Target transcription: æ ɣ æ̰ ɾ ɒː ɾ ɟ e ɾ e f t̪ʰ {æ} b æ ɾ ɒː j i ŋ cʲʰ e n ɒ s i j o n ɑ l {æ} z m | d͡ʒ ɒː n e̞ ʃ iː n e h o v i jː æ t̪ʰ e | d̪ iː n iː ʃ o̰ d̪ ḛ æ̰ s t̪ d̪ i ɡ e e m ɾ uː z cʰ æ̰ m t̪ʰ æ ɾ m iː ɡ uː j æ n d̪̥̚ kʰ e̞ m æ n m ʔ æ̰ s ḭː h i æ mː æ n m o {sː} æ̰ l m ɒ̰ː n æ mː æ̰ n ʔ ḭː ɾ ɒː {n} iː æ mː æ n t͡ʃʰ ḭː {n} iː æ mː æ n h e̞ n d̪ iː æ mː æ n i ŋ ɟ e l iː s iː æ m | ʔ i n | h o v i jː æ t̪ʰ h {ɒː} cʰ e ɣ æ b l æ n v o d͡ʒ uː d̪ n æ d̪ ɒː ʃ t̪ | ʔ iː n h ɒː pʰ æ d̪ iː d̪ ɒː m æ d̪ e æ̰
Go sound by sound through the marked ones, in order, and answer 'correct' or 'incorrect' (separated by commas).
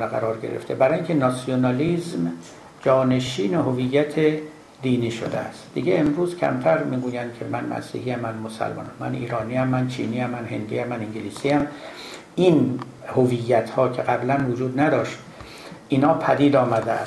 incorrect, incorrect, incorrect, correct, correct, correct